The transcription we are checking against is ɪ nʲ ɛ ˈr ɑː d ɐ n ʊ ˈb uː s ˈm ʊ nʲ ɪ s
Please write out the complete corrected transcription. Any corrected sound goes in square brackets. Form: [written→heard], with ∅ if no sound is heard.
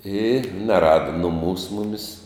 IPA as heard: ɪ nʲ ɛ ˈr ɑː d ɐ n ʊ [ˈb→ˈm] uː s ˈm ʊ [nʲ→mʲ] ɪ s